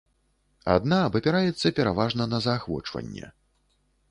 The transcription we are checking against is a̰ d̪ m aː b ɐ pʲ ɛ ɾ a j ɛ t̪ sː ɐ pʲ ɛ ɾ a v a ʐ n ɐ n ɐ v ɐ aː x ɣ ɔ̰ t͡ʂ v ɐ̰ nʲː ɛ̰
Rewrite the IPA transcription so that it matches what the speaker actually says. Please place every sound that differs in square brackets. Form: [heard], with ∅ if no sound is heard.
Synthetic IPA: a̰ d̪ [n] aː b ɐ pʲ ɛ ɾ a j ɛ t̪ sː ɐ pʲ ɛ ɾ a v a ʐ n ɐ n ɐ [z] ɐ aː x [v] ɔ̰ t͡ʂ v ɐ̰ nʲː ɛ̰